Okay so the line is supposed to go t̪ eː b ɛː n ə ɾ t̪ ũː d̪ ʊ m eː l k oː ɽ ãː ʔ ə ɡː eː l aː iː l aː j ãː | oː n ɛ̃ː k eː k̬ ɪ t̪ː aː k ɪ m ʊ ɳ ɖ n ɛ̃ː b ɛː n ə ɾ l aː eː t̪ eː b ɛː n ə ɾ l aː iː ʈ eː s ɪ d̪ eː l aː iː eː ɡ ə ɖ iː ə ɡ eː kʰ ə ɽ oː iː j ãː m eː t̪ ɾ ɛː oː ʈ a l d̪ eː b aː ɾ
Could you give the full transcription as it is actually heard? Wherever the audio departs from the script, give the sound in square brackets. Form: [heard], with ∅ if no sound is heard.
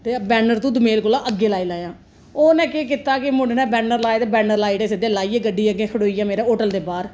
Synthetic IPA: t̪ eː b ɛː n ə ɾ t̪ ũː d̪ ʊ m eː l k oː [l] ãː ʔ ə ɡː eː l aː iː l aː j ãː | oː n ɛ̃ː k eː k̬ ɪ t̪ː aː k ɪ m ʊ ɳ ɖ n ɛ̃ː b ɛː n ə ɾ l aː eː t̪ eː b ɛː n ə ɾ l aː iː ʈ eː s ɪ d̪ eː l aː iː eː ɡ ə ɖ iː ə ɡ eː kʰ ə ɽ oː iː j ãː m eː [∅] ɾ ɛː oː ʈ [ə] l d̪ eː b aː ɾ